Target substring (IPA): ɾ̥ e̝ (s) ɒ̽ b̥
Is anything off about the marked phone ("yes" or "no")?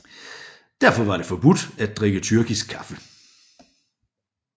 yes